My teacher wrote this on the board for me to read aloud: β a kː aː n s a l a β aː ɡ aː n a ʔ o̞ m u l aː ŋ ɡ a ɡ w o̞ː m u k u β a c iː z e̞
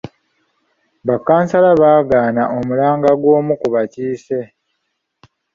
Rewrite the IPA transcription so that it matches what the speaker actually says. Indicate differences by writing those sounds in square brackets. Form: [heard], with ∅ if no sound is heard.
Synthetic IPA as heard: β a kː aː n s a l a β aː ɡ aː n a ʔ o̞ m u l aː ŋ ɡ a ɡ w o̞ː m u k u β a c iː [s] e̞

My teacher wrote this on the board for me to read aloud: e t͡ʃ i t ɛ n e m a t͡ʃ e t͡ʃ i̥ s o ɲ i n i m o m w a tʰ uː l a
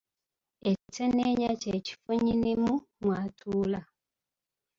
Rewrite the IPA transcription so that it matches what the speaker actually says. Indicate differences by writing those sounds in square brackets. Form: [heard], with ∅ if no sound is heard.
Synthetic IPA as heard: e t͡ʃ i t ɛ n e [ɲ] a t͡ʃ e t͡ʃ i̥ [f] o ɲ i n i m [u] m w a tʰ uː l a

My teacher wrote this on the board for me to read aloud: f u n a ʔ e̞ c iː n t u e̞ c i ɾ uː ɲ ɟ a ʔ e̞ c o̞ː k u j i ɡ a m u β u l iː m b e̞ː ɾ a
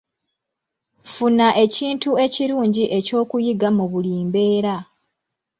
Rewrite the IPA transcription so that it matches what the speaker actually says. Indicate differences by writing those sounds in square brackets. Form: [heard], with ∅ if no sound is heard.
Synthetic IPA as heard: f u n a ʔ e̞ c iː n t u e̞ c i ɾ uː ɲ ɟ [i] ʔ e̞ c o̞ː k u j i ɡ a m u β u l iː m b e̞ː ɾ a

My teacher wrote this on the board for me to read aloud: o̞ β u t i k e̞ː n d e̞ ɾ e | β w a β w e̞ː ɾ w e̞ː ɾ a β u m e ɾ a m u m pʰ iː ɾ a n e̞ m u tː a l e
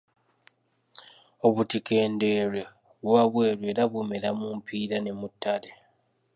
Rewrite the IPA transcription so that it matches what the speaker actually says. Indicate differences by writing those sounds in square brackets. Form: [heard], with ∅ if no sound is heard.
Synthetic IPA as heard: o̞ β u t i k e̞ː n d e̞ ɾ e | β w a β w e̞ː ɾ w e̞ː ɾ a β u m e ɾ a m u m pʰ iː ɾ a n e̞ m u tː a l e

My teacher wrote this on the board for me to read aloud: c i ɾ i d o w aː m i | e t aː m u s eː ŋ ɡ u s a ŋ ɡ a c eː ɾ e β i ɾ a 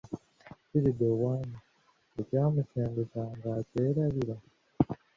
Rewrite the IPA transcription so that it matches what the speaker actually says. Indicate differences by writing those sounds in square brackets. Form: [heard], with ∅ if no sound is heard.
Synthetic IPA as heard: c i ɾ i d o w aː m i | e [c] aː m u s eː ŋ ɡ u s a ŋ ɡ a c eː ɾ [a] β i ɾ a

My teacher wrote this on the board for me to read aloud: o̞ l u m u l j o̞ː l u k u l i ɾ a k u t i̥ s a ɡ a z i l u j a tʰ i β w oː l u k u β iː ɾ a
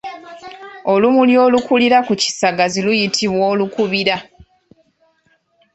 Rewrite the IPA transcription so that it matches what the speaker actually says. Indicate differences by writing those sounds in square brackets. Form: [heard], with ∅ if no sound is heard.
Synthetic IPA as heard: o̞ l u m u l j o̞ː l u k u l i ɾ a k u [c] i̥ s a ɡ a z i l u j [i] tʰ i β w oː l u k u β [i] ɾ a

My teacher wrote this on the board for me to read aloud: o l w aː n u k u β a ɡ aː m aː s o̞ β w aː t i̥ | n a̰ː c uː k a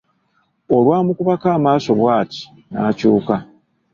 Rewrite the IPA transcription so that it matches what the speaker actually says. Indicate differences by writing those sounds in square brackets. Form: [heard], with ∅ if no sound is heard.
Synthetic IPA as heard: o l w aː [m] u k u β a [k] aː m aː s o̞ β w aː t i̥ | n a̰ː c uː k a

